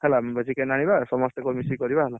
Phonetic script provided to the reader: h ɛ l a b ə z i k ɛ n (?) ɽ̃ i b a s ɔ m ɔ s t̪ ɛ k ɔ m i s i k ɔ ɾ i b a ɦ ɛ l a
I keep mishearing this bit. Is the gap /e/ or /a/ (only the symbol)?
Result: a